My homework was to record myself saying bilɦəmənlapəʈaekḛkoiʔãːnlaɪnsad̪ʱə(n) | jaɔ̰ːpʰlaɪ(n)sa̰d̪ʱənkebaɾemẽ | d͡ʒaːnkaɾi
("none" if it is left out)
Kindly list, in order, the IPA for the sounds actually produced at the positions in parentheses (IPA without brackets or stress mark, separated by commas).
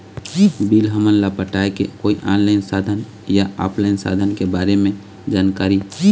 n, n